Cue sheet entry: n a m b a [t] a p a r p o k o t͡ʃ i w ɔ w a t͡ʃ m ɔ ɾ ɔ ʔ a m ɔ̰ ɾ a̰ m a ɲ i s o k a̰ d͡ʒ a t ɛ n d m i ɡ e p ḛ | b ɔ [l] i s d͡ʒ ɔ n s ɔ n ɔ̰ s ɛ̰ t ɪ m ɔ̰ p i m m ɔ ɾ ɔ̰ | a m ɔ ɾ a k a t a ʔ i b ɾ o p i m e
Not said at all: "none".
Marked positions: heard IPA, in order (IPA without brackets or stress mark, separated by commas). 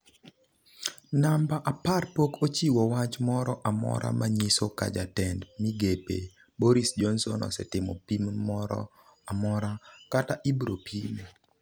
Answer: ʔ, ɾ